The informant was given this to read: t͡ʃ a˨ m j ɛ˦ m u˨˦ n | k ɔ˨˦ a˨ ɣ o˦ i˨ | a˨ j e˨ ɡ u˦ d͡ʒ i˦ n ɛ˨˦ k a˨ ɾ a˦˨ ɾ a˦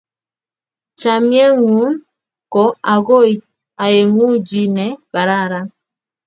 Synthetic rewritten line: t͡ʃ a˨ m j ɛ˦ ŋ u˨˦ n | k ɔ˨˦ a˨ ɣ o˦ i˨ | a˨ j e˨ ŋ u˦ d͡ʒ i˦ n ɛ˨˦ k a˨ ɾ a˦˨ ɾ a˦